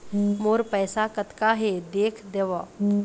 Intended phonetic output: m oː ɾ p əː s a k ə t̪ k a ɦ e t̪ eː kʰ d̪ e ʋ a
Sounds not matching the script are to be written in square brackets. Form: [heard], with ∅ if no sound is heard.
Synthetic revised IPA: m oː ɾ p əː s a k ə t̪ k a ɦ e [d̪] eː kʰ d̪ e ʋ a